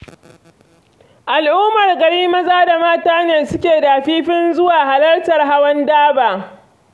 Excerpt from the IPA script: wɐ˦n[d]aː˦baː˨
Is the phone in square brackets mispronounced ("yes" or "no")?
no